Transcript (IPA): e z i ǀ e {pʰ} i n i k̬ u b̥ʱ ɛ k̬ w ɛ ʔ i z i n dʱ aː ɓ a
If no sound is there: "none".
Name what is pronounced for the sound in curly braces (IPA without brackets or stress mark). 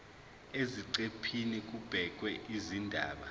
pʰ